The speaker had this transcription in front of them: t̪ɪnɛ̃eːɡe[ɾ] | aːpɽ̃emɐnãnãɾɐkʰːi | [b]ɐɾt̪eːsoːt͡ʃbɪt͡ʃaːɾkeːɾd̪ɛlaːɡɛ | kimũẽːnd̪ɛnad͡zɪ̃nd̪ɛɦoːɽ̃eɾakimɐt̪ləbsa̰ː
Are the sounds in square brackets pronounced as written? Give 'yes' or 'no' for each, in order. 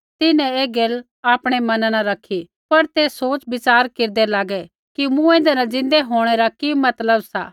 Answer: no, no

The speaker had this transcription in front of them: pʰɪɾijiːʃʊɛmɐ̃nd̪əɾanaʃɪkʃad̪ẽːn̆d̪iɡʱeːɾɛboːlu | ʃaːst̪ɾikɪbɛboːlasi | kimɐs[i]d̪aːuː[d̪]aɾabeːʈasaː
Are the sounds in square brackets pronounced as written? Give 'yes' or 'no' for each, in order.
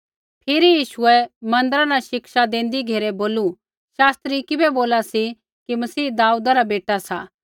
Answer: no, yes

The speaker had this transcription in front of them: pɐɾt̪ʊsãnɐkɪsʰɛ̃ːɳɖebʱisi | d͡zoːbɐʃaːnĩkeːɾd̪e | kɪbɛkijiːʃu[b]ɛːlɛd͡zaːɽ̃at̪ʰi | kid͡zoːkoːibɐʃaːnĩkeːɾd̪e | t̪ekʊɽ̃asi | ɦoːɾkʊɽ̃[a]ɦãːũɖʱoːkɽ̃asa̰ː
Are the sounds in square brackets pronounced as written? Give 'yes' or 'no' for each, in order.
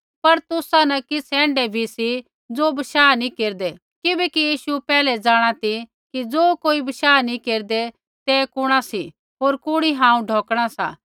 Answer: no, no

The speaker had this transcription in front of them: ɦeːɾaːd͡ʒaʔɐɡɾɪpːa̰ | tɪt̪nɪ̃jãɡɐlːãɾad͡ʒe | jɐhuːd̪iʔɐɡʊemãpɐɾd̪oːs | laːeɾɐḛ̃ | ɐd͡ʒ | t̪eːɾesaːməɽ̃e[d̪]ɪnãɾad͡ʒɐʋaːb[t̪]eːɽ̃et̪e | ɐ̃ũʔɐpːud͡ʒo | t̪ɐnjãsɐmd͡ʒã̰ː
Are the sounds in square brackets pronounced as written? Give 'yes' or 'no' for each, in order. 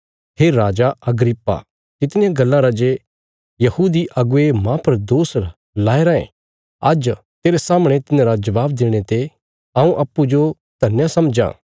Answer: no, no

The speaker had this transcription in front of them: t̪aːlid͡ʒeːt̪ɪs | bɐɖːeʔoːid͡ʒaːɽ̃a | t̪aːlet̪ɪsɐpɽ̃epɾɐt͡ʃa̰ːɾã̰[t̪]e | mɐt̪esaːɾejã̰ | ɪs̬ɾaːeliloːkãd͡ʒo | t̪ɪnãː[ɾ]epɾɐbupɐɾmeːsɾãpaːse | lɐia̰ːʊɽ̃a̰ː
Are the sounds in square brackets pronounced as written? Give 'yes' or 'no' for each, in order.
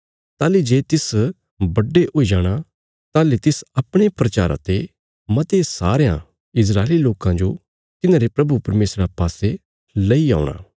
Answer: yes, yes

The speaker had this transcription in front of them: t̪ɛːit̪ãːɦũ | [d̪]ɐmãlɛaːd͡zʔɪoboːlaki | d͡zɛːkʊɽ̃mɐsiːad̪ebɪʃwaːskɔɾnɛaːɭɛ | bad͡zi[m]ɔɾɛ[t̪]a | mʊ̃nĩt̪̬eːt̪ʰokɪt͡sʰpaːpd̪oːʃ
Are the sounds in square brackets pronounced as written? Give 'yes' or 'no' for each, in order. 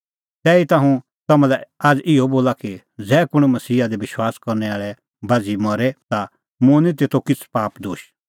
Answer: no, yes, yes

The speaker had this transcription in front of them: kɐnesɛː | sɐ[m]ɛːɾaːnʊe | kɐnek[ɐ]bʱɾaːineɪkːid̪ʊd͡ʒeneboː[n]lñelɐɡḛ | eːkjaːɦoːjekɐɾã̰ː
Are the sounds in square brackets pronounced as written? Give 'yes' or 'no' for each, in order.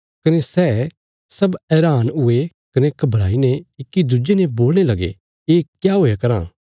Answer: no, yes, no

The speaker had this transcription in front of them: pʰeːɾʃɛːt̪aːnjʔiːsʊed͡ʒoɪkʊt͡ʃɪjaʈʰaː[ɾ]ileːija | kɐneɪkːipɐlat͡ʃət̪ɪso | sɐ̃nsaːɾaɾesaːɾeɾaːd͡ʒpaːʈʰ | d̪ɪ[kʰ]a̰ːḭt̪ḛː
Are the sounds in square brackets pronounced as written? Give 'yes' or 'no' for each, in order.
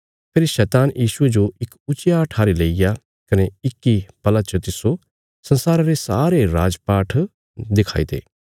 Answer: yes, yes

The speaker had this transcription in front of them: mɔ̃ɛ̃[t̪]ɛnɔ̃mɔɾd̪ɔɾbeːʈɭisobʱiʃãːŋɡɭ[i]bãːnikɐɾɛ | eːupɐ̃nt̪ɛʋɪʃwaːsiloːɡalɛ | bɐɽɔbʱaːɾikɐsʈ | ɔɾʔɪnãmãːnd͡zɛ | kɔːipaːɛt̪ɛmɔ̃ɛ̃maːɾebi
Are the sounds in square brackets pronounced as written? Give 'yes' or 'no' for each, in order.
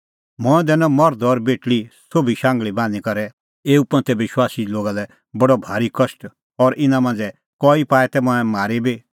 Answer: no, yes

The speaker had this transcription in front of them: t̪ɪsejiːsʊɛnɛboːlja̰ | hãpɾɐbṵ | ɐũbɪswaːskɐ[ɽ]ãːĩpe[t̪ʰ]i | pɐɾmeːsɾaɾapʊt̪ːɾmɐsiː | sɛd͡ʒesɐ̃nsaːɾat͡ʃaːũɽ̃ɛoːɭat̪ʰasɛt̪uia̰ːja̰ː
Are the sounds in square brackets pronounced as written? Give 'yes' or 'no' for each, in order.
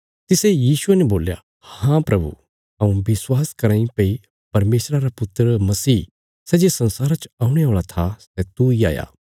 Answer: no, no

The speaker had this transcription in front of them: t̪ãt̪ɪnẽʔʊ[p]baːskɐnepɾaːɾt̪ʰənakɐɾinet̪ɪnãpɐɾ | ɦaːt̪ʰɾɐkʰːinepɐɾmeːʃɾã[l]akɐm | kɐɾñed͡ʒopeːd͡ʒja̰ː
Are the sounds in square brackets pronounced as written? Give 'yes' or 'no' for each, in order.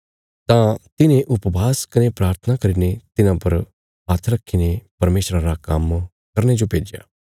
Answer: yes, no

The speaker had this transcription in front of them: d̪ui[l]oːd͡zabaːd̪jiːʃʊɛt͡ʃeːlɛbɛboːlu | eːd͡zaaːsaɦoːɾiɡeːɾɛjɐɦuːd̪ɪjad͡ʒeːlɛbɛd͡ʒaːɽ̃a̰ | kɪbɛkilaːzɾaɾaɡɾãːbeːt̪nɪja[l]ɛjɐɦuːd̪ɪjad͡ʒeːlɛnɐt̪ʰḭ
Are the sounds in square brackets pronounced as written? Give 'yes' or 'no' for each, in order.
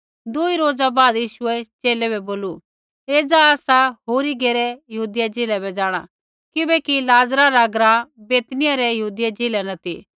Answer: no, no

